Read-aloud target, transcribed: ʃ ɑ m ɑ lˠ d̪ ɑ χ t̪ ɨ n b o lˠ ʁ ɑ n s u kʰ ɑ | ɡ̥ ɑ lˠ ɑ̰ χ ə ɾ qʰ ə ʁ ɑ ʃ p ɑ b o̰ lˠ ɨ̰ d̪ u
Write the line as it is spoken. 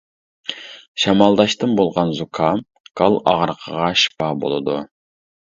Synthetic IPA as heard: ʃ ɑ m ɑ lˠ d̪ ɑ ʃ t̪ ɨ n b o lˠ ʁ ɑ n z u kʰ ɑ | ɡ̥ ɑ lˠ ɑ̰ ʁ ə ɾ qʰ ə ʁ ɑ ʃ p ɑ b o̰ lˠ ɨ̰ d̪ u